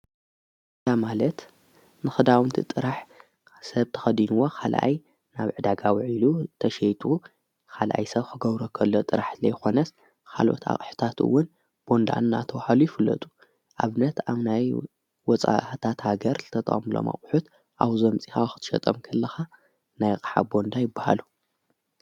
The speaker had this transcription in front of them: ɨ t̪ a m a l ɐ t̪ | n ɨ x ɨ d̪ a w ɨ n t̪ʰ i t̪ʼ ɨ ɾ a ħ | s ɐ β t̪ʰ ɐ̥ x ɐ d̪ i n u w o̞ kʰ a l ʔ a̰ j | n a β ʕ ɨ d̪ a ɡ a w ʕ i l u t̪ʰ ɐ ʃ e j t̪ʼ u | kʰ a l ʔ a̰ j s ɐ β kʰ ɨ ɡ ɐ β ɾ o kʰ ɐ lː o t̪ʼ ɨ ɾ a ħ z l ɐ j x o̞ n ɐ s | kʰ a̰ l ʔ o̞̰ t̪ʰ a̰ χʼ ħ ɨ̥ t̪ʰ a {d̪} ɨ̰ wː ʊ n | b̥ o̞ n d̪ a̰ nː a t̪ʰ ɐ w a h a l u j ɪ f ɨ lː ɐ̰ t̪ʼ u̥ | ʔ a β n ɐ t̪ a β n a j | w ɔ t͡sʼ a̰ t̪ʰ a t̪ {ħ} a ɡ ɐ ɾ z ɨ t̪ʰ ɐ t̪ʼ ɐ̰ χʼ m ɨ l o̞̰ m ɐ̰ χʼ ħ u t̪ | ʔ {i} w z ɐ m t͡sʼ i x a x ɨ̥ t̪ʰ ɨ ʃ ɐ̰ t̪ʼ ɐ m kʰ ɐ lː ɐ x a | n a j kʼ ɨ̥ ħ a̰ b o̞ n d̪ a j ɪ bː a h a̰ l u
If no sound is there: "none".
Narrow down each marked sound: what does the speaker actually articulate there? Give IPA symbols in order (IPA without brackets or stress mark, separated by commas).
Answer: t̪, h, a